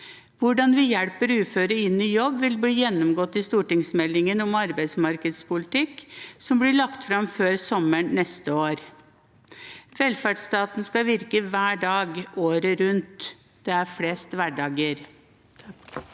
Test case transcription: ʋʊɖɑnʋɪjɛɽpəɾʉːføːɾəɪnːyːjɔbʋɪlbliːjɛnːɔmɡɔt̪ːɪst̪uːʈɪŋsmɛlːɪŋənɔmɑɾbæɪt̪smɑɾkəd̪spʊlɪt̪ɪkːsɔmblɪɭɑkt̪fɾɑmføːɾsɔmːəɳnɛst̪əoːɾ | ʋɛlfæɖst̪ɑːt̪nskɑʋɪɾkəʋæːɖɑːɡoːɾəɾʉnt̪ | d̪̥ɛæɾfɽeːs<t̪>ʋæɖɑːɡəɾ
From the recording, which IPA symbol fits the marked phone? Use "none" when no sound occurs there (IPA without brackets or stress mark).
t̪